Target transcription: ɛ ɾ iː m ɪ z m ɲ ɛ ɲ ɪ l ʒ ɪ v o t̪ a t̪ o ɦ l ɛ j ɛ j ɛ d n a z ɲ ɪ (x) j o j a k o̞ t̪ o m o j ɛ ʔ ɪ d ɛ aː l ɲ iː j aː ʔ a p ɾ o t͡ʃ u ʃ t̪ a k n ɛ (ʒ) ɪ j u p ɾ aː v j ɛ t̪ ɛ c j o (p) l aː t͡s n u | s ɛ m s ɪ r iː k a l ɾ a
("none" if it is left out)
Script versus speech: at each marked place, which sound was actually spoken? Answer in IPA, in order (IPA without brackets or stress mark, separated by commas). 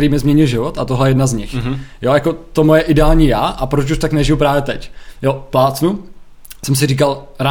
x, ʒ, p